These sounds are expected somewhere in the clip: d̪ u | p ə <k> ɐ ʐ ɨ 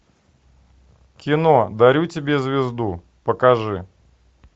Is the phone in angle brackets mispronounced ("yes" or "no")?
no